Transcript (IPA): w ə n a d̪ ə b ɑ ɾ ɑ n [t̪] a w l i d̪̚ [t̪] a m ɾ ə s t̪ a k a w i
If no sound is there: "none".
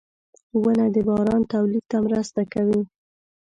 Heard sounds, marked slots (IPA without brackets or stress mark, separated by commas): t̪, t̪